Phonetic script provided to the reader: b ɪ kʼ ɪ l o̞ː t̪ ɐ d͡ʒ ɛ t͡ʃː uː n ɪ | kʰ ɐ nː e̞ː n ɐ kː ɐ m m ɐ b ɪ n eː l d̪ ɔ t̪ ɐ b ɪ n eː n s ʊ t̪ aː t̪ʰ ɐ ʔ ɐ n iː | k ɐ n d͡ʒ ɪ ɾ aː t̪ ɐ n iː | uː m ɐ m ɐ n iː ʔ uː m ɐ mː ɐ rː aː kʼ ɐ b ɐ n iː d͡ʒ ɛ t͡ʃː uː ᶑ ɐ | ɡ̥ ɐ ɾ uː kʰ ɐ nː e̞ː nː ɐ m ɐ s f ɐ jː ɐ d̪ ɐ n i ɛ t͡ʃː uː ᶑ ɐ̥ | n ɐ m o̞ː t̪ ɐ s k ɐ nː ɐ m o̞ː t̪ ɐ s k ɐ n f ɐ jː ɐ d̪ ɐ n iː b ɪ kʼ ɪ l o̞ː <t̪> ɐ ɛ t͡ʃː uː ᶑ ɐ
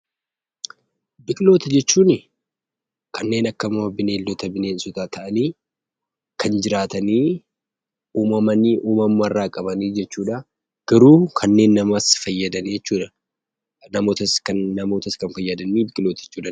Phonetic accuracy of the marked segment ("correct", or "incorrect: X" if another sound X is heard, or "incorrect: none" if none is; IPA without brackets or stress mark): correct